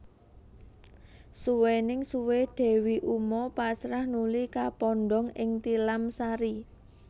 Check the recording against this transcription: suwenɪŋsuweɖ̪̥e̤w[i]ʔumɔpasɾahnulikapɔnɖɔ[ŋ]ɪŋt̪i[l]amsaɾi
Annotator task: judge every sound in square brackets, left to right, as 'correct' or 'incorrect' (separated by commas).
correct, correct, correct